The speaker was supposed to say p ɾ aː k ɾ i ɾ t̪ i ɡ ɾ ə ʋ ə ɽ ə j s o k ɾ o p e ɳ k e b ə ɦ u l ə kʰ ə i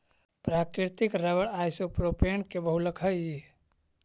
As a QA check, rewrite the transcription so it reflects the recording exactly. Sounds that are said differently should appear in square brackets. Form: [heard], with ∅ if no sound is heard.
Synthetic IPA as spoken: p ɾ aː k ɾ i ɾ t̪ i [k] ɾ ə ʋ ə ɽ [a] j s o [p] ɾ o p e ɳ k e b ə ɦ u l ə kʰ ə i